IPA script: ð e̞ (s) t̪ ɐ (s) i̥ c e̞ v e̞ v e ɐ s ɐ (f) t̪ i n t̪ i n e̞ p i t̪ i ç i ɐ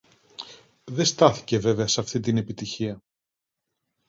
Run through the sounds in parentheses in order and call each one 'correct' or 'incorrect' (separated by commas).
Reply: correct, incorrect, correct